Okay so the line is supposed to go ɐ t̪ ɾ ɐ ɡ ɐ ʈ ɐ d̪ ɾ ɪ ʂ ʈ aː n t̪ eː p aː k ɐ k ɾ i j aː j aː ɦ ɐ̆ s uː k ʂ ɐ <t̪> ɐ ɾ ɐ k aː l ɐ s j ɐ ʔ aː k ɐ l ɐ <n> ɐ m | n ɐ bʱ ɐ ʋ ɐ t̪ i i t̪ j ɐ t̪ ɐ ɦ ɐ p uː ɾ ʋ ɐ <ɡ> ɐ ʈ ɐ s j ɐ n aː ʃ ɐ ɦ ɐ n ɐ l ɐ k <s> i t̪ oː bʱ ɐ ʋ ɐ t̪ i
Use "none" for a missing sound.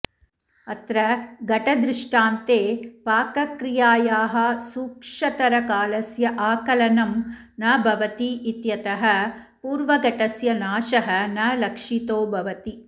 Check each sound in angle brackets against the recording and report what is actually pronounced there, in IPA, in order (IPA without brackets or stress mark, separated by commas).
t̪, n, ɡ, ʂ